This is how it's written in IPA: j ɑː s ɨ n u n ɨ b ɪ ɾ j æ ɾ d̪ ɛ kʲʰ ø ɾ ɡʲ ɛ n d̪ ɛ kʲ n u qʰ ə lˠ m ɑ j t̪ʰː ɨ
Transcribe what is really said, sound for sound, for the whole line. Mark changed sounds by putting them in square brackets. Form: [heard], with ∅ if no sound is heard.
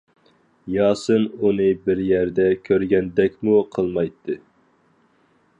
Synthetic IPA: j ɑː s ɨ n u n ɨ b ɪ ɾ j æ ɾ d̪ ɛ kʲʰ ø ɾ ɡʲ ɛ n d̪ ɛ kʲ [m] u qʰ ə lˠ m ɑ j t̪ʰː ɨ

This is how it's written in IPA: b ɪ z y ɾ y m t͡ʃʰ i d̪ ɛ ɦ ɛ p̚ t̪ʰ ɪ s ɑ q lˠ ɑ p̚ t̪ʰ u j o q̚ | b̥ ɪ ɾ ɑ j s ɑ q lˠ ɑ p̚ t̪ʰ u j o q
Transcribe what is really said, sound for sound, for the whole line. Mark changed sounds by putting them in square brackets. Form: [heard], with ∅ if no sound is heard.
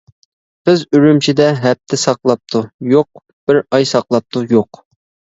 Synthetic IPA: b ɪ z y ɾ y m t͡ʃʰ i d̪ ɛ ɦ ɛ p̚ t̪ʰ ɪ s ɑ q lˠ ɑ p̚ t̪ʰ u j o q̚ | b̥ ɪ ɾ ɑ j s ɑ q lˠ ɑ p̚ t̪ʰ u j o q

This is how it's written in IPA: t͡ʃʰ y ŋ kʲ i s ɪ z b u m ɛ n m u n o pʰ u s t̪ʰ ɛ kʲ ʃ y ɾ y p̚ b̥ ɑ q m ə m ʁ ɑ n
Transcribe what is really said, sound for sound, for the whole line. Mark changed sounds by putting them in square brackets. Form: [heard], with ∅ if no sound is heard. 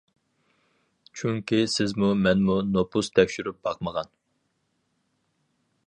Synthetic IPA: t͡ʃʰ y ŋ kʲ i s ɪ z [m] u m ɛ n m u n o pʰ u s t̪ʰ ɛ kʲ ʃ y ɾ y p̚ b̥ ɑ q m ə [∅] ʁ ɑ n

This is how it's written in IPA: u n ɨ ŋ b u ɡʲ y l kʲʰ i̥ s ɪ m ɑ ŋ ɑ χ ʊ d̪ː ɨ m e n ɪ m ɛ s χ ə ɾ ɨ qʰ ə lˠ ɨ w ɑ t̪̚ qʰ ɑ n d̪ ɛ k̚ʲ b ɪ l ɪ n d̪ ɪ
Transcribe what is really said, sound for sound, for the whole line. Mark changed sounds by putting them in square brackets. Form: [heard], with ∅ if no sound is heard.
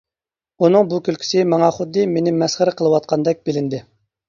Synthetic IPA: u n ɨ ŋ b u [kʲ] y l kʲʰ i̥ s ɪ m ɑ ŋ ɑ χ ʊ d̪ː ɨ m e n ɪ m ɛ s χ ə ɾ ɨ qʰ ə lˠ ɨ w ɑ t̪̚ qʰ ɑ n d̪ ɛ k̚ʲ b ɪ l ɪ n d̪ ɪ

